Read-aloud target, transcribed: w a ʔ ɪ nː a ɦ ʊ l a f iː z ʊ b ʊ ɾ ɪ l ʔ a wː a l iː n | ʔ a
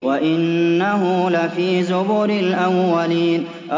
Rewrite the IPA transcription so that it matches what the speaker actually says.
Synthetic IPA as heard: w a ʔ ɪ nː a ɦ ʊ l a f iː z ʊ b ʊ ɾ ɪ l ʔ a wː a l iː n | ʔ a